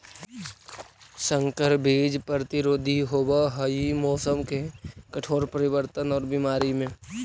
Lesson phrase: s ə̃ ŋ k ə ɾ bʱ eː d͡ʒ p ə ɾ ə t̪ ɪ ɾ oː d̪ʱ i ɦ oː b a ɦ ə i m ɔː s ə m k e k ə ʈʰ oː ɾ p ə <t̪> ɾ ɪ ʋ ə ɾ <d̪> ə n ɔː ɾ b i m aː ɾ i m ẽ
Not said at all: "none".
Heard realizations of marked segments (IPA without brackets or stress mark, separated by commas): none, t̪